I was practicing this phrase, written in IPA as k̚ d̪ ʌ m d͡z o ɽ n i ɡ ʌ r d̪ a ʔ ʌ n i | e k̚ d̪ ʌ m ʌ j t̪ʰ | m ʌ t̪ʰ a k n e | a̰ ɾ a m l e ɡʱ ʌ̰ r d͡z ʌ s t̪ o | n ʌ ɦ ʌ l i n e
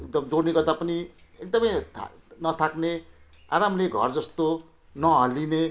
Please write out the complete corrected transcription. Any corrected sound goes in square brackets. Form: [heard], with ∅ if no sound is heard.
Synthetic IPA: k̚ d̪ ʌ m d͡z o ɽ n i ɡ ʌ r d̪ a [p] ʌ n i | e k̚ d̪ ʌ m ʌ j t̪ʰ | [n] ʌ t̪ʰ a k n e | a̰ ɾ a m l e ɡʱ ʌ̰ r d͡z ʌ s t̪ o | n ʌ ɦ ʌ l i n e